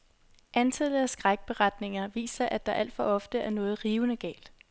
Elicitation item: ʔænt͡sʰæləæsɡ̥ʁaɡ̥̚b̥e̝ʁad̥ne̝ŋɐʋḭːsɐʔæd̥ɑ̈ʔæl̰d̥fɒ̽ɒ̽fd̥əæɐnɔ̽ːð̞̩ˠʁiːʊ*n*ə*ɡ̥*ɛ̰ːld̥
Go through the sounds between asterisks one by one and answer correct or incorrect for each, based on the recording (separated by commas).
correct, correct